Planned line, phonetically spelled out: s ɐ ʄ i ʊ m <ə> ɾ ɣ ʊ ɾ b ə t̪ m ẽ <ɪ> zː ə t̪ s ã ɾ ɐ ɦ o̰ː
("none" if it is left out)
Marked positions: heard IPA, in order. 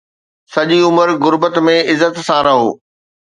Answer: ə, ɪ

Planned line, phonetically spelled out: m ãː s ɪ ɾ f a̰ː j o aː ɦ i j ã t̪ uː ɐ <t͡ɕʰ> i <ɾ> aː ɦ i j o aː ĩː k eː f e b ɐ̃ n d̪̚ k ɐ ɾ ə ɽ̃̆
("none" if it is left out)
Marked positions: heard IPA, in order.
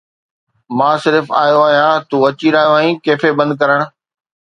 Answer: t͡ɕ, ɾ

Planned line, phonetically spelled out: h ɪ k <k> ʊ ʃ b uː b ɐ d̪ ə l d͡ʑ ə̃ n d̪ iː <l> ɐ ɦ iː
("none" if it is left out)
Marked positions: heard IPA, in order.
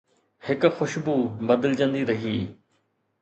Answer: x, ɾ

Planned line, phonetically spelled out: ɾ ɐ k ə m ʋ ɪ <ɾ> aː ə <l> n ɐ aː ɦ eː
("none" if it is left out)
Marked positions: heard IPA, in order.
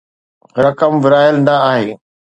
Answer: ɾ, l

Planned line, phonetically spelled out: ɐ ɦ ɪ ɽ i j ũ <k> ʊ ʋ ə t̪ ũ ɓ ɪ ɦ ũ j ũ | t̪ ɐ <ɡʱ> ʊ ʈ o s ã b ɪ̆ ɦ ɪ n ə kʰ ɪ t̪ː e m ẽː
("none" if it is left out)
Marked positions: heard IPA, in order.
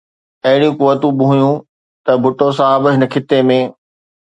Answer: k, bʱ

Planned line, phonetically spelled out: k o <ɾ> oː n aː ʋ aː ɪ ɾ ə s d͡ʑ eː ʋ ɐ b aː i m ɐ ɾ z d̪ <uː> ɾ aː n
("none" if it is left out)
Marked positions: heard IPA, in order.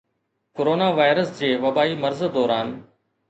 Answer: ɾ, ɔː

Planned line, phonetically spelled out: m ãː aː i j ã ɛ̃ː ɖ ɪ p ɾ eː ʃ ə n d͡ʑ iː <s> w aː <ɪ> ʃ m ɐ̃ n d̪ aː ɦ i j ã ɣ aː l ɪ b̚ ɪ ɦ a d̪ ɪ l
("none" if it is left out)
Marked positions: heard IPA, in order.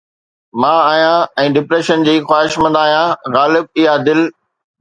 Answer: x, ɪ

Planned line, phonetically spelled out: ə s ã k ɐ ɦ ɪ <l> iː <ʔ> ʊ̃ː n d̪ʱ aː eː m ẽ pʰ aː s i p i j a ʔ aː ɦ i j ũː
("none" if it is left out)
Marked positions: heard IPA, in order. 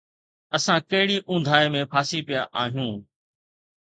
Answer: ɽ, ʔ

